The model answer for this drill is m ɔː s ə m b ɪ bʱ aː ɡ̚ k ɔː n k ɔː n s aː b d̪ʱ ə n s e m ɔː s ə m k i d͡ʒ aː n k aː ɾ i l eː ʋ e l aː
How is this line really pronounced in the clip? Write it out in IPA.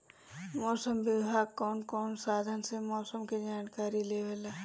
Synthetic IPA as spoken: m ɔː s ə m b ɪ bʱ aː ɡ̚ k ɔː n k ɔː n s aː d̪ʱ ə n s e m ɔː s ə m k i d͡ʒ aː n k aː ɾ i l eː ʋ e l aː